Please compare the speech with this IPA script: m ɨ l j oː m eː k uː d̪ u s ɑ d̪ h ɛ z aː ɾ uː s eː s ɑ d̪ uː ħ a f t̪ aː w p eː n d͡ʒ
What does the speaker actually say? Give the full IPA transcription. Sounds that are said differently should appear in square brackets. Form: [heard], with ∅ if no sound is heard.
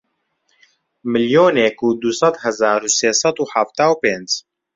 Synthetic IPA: m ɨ l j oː [n] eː k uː d̪ u s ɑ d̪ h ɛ z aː ɾ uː s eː s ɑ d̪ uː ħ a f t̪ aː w p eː n d͡ʒ